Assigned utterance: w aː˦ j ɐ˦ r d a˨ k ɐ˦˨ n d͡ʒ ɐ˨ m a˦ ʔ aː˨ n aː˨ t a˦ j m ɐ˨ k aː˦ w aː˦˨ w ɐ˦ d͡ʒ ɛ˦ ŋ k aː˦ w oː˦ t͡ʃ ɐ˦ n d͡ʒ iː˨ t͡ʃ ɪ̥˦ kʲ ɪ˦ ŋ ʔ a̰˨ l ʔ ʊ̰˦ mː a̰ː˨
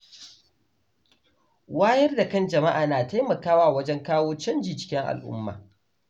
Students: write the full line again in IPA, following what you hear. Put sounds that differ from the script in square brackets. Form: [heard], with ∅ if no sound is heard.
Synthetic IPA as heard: w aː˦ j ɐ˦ r d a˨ k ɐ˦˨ n d͡ʒ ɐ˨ m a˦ ʔ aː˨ n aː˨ t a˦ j m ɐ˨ k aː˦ w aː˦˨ w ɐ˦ d͡ʒ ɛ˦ ŋ k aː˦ w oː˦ t͡ʃ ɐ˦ n d͡ʒ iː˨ t͡ʃ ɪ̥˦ kʲ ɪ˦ ŋ ʔ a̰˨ l ʔ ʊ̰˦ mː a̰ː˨